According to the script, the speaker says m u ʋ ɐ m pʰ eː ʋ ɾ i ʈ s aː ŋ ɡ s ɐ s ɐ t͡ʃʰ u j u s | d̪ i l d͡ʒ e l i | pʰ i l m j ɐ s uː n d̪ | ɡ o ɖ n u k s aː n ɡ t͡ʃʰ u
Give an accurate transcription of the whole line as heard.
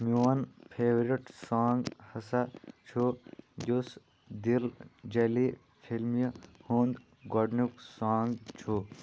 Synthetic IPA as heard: m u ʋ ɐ n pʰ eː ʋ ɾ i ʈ s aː ŋ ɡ h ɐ s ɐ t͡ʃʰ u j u s | d̪ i l d͡ʒ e l i | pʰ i l m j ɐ h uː n d̪ | ɡ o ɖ n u k s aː ŋ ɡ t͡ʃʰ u